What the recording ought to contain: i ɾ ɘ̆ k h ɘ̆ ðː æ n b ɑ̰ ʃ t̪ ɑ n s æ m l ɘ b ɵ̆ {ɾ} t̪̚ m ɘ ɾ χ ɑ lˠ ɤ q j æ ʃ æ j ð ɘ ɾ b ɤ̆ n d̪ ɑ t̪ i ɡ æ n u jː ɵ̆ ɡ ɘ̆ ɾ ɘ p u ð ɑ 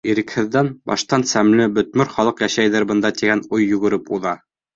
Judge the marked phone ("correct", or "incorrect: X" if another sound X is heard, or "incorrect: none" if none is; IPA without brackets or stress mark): incorrect: none